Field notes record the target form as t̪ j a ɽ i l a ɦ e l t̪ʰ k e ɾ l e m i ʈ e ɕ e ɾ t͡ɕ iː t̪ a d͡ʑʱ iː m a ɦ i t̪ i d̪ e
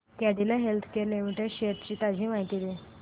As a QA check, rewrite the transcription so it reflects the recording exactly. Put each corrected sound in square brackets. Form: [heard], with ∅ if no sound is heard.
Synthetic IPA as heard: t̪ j a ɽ i l a ɦ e l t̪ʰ k e ɾ l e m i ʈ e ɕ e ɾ t͡ɕ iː t̪ a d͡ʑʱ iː m a ɦ i t̪ i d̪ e